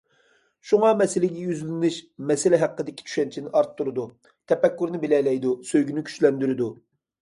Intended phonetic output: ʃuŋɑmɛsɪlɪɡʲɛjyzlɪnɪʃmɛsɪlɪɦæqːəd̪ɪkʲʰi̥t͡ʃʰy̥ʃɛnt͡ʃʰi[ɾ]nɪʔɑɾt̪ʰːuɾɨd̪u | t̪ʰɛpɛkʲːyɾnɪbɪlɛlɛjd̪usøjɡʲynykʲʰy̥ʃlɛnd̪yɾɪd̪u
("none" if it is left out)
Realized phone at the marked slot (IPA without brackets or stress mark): none